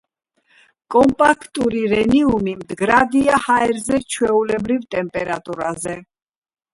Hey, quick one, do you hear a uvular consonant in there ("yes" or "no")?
no